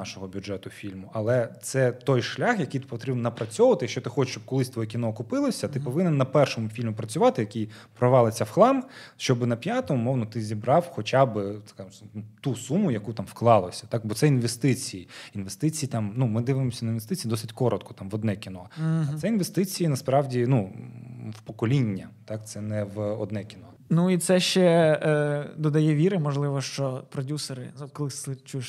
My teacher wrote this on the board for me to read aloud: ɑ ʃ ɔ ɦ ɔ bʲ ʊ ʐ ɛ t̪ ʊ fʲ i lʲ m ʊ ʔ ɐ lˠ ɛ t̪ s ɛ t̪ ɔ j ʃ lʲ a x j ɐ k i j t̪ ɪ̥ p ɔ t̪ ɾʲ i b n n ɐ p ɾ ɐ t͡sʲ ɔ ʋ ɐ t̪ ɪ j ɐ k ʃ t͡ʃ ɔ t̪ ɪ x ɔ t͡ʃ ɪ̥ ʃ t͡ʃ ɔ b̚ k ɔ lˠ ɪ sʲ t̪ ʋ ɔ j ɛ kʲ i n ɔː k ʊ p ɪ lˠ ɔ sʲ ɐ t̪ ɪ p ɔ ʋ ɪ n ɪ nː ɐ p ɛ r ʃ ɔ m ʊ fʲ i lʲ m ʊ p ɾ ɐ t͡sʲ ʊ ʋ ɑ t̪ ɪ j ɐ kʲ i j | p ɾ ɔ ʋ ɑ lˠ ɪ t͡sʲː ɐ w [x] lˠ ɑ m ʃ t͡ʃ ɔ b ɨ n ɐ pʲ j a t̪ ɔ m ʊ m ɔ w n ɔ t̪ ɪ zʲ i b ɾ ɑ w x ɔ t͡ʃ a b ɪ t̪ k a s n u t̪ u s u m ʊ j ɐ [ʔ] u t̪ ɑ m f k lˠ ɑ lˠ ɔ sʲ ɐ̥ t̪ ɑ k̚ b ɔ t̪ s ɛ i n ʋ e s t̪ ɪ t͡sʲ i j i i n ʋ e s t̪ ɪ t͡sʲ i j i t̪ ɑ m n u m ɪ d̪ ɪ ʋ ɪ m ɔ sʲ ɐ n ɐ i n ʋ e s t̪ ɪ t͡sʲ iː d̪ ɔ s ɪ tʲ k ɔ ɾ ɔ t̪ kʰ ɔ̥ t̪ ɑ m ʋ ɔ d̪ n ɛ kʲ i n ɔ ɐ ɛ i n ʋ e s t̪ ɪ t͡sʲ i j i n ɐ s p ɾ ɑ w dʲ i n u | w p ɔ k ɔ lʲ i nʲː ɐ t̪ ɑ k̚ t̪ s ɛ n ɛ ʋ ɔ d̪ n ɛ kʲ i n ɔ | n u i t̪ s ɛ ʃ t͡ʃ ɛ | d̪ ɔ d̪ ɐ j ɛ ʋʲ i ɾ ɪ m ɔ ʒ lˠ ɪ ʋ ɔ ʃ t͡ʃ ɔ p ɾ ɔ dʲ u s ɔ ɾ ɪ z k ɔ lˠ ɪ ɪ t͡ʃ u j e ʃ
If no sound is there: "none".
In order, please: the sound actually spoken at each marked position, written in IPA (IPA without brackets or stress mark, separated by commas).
x, k